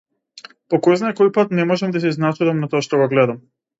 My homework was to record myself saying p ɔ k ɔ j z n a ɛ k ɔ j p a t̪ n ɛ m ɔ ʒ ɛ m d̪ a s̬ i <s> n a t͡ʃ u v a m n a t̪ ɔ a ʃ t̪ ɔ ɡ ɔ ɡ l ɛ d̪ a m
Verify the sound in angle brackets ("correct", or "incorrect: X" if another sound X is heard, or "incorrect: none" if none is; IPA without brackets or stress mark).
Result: incorrect: z